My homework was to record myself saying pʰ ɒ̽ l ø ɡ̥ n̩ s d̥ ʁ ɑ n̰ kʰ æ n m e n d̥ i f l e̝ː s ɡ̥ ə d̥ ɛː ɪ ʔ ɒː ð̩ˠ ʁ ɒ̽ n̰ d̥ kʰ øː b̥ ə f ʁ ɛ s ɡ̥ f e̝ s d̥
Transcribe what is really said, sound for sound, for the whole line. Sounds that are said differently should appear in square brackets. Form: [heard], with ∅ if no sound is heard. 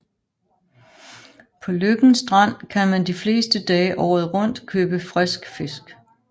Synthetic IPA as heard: pʰ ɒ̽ l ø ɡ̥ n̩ s d̥ ʁ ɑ n̰ kʰ æ n m [æ] n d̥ i f l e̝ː s [d̥] ə d̥ ɛː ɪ ʔ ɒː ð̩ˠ ʁ [ɔ̽] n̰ d̥ kʰ øː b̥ ə f ʁ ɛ s ɡ̥ f e̝ s [ɡ̥]